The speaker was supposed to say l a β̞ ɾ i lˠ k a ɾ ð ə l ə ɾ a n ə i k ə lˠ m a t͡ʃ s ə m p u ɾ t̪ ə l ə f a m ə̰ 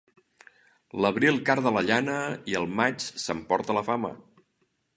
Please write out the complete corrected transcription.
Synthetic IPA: l ə β̞ ɾ i lˠ k a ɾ ð ə l ə ʎ a n ə i ə lˠ m a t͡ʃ s ə m p ɔ ɾ t̪ ə l ə f a m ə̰